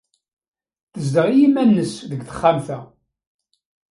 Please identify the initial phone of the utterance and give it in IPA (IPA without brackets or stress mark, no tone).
θ